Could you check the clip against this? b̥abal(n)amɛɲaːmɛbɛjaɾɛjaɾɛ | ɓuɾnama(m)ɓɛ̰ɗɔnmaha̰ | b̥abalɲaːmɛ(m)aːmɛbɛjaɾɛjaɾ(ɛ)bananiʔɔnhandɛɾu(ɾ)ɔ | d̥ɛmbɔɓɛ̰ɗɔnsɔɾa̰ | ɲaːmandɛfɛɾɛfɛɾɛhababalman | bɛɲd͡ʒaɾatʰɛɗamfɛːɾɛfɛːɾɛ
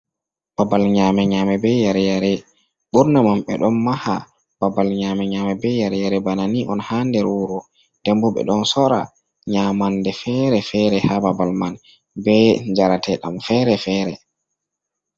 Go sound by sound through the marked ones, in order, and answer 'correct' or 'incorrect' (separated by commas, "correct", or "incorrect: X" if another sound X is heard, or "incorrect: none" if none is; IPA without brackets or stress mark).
incorrect: ɲ, correct, incorrect: ɲ, correct, correct